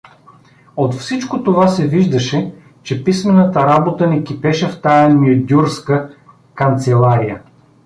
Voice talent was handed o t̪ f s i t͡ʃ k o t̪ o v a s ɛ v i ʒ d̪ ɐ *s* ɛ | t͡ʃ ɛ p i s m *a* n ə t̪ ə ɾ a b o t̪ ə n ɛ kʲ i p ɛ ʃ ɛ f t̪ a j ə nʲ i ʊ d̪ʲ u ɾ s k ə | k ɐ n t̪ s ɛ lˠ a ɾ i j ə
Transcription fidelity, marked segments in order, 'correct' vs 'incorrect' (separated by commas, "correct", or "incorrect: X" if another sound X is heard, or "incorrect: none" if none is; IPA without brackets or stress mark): incorrect: ʃ, incorrect: ɛ